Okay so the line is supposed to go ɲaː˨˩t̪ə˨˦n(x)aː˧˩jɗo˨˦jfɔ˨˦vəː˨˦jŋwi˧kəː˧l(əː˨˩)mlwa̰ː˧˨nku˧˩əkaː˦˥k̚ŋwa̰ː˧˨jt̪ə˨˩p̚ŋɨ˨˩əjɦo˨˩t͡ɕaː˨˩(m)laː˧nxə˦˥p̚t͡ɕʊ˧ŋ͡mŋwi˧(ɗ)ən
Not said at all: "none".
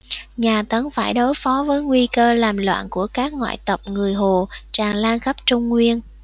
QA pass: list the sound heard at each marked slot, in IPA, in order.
f, aː˨˩, ŋ, none

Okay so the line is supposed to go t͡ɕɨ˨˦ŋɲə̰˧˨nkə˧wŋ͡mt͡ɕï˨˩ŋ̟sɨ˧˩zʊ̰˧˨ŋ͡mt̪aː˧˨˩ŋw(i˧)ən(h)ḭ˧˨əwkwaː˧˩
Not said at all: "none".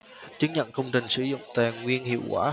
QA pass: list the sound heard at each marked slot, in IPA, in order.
i˧, h

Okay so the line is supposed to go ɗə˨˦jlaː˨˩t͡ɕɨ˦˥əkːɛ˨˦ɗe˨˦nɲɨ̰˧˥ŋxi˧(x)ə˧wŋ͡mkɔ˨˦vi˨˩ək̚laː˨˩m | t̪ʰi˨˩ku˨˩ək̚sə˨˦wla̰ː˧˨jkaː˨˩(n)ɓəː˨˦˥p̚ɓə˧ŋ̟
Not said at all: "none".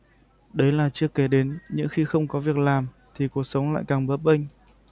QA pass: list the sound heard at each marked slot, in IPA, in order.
x, ŋ

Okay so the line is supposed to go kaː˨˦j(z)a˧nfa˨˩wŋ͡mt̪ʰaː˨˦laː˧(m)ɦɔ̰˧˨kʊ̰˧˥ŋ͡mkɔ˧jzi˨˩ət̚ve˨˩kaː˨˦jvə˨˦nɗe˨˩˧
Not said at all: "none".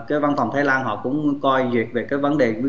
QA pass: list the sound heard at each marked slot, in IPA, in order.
v, n

